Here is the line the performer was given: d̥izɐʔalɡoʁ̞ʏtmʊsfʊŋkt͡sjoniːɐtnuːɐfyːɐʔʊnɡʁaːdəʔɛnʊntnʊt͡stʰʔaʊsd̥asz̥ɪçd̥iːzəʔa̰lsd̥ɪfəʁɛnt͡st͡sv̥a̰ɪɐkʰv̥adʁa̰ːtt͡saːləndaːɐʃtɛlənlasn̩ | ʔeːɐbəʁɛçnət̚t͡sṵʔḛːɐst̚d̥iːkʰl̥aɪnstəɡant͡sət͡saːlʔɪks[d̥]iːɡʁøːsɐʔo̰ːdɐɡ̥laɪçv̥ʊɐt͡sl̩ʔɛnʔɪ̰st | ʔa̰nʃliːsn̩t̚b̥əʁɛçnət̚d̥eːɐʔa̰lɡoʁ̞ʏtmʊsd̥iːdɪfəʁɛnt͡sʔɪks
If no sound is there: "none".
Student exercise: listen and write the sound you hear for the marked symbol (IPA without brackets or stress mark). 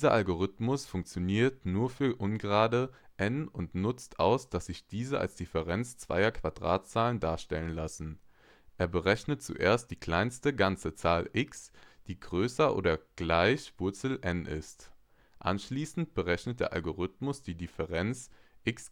d̥